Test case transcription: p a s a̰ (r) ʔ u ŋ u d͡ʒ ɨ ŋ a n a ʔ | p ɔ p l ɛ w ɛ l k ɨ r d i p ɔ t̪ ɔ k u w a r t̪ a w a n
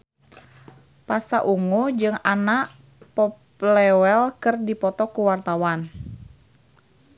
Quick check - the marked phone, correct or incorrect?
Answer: incorrect